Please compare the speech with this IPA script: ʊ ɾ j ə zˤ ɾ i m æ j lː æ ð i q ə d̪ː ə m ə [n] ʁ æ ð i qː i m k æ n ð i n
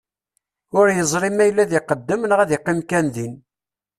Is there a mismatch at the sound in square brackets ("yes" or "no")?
no